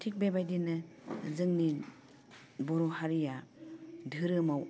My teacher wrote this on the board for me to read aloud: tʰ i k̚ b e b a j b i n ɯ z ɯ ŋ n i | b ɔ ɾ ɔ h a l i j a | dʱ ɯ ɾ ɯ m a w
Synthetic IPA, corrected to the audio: tʰ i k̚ b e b a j d i n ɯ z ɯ ŋ n i | b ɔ ɾ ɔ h a ɾ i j a | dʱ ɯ ɾ ɯ m a w